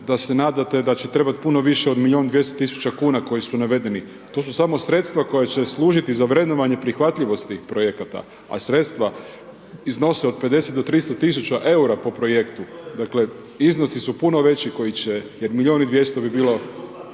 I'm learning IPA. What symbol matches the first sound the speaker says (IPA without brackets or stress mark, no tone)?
d̪